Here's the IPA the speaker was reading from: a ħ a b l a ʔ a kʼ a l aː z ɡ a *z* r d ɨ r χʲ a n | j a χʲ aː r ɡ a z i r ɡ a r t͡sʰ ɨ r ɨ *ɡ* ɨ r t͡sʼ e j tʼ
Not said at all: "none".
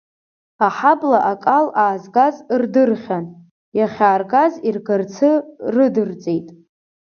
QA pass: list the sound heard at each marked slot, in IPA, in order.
z, d

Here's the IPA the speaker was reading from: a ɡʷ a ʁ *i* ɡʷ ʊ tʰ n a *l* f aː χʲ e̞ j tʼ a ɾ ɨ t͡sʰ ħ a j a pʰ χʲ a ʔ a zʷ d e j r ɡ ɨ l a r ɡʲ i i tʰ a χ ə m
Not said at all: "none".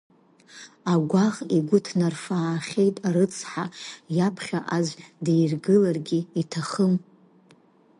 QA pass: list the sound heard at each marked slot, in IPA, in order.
i, r

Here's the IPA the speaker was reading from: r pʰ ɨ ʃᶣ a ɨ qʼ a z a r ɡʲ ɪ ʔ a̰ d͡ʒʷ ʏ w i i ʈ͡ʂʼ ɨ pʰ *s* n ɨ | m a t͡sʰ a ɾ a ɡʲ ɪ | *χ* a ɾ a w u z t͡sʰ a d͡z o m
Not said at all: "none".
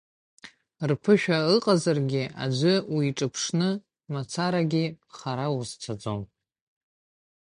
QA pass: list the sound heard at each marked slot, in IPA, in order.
ʂ, χ

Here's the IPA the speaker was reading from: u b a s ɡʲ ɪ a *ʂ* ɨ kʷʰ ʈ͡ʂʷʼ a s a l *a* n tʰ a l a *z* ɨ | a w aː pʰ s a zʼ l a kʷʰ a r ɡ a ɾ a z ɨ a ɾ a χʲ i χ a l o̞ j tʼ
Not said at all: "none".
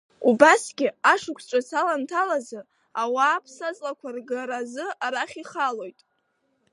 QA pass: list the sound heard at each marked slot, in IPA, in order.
ʂ, a, z

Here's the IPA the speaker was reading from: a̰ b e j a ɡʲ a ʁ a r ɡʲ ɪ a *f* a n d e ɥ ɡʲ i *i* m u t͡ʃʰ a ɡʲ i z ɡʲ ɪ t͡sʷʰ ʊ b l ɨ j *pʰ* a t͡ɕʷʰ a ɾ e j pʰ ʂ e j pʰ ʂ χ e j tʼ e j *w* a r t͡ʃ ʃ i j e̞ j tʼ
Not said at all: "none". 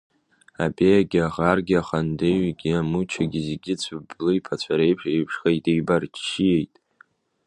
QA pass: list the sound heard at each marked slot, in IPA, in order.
χ, a, pʰ, b

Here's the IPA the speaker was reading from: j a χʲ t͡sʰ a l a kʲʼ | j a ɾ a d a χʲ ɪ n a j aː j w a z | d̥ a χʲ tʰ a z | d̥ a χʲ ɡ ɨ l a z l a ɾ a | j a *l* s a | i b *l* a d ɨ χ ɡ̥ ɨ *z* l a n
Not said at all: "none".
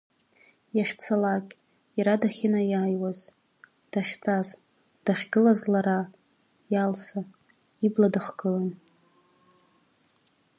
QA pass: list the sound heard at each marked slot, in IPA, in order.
l, l, none

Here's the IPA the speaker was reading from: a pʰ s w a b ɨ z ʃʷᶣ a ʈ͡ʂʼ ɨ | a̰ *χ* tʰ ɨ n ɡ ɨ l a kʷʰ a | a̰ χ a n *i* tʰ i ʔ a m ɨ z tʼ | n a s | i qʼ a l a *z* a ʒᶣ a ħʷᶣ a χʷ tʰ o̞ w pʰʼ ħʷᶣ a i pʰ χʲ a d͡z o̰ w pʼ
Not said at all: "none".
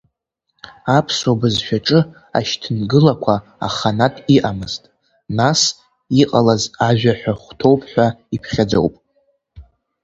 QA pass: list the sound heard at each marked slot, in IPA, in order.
ʃ, a, z

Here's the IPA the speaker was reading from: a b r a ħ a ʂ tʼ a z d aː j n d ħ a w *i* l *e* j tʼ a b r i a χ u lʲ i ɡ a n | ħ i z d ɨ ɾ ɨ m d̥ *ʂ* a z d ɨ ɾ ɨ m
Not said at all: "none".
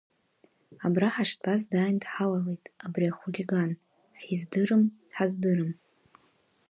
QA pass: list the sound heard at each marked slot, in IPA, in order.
a, e, ħ

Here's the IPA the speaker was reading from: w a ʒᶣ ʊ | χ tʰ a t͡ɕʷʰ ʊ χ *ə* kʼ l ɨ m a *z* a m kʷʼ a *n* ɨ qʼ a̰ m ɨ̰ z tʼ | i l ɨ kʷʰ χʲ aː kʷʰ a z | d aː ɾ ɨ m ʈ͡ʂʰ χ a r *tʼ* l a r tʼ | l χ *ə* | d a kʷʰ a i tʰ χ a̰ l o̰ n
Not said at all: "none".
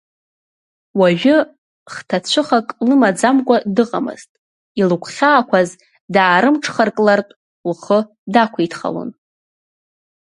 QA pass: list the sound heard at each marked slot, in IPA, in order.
a, d͡z, d, kʼ, ə

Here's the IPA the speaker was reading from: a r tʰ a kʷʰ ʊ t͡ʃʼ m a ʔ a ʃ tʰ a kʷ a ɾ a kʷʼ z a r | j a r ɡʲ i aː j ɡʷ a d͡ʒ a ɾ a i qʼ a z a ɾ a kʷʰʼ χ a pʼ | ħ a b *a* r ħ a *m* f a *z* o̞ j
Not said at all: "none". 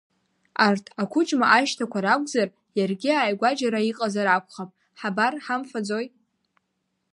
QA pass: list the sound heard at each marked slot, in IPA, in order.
a, m, d͡z

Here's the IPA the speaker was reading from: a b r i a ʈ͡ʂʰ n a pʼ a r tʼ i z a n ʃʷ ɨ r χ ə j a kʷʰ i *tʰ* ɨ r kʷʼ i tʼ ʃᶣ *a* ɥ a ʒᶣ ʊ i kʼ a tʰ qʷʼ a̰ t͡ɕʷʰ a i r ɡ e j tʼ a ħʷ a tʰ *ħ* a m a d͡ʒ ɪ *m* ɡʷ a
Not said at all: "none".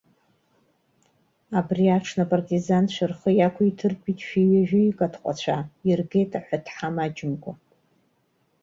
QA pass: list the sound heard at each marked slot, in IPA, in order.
tʰ, i, ħ, m

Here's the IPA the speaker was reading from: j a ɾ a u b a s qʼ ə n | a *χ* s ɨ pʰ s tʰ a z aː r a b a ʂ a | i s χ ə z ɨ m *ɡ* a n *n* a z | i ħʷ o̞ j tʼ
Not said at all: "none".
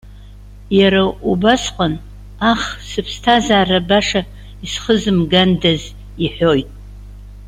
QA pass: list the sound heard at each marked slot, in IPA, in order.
χ, ɡ, d

